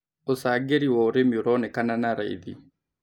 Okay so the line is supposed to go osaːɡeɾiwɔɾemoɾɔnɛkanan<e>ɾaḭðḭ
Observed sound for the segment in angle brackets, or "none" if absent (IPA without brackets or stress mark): a